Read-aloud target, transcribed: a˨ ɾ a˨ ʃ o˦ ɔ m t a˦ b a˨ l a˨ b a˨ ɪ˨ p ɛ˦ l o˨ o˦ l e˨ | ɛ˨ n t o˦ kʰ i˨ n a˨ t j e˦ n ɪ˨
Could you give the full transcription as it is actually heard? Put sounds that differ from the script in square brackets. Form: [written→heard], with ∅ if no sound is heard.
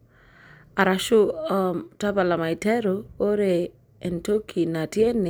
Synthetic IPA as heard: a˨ ɾ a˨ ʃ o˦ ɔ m t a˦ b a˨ l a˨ [b→m] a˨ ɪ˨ [p→t] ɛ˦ [l→ɾ] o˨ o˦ [l→ɾ] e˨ | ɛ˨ n t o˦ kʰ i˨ n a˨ t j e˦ n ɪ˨

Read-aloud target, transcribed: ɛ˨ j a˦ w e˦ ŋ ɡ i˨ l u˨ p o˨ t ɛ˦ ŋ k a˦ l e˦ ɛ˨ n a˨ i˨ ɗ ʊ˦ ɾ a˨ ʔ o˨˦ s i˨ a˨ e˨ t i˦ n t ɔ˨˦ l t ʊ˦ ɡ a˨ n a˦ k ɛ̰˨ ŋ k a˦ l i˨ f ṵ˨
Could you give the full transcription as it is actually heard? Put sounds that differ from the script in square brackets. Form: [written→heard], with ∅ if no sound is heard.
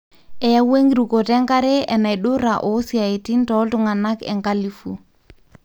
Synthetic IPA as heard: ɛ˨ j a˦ w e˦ ŋ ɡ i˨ [l→ɾ] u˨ [p→k] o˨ t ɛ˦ ŋ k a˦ [l→ɾ] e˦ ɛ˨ n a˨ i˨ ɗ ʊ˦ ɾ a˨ ʔ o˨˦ s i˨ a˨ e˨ t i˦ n t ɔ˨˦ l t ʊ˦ [ɡ→ŋ] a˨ n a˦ k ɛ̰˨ ŋ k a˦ l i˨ f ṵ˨

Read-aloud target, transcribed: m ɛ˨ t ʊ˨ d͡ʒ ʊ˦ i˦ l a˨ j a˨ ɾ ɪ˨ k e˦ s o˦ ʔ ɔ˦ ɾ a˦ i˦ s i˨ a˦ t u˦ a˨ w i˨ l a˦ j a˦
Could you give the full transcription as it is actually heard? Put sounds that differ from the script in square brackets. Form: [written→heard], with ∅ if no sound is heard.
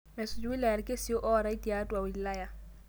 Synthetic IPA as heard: m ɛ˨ [t→s] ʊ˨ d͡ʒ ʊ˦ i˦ l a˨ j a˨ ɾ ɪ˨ k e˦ s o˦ ʔ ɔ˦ ɾ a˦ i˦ [s→t] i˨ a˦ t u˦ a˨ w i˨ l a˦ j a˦

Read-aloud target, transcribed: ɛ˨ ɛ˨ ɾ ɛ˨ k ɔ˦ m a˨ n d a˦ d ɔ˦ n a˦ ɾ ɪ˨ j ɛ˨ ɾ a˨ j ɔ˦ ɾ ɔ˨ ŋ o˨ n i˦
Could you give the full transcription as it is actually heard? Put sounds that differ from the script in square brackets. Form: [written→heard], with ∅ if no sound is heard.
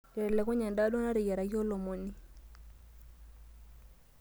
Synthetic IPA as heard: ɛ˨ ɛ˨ [ɾ→l] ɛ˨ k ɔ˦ [m→ɲ] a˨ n d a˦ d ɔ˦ n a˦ ɾ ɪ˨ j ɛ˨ ɾ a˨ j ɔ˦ [ɾ→l] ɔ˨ [ŋ→m] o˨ n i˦

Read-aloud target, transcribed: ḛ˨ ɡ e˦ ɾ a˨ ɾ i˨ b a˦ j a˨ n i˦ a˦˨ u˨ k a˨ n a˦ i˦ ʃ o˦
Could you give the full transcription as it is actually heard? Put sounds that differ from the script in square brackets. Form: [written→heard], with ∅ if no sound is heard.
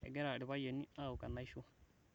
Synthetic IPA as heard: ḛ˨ ɡ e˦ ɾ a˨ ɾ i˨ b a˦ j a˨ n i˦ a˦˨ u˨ k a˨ n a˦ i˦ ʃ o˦

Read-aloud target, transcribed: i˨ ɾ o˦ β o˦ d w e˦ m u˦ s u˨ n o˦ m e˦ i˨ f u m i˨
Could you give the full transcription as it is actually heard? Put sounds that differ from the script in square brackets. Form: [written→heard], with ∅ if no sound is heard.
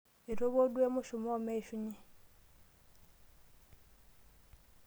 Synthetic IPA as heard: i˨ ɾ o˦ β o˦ d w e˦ m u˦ [s→ʃ] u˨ [n→m] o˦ m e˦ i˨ [f→ʃ] u [m→ɲ] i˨

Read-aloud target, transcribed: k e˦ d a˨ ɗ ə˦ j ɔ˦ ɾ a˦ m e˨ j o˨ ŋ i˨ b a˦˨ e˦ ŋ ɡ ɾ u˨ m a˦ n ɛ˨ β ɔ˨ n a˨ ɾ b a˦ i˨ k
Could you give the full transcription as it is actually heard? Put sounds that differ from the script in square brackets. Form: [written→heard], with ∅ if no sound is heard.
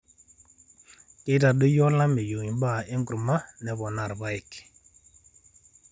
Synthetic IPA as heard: k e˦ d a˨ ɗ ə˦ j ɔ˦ [ɾ→l] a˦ m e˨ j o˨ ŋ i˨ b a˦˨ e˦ ŋ ɡ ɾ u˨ m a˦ n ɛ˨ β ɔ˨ n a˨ ɾ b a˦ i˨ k

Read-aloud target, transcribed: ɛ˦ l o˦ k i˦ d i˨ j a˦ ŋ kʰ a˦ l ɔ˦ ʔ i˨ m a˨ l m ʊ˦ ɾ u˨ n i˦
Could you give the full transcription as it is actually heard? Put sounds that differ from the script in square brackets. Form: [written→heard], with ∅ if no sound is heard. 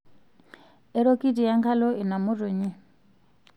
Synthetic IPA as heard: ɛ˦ [l→ɾ] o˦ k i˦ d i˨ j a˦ ŋ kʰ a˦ l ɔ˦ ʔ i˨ [m→n] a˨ [l→∅] m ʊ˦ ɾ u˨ [n→ɲ] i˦

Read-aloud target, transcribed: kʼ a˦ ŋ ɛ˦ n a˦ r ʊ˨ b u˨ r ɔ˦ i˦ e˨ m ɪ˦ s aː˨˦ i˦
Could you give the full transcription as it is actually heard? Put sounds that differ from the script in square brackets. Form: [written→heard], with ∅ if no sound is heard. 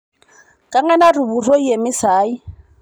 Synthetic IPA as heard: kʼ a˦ ŋ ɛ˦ n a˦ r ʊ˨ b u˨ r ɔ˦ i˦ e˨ m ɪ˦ s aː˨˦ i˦

